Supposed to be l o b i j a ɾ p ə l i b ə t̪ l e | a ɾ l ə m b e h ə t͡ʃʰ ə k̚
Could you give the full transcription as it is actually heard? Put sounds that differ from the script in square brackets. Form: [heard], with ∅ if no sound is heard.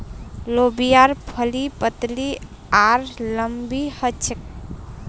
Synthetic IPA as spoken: l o b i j a ɾ [pʰ] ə l i [p] ə t̪ l [i] | a ɾ l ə m b [i] h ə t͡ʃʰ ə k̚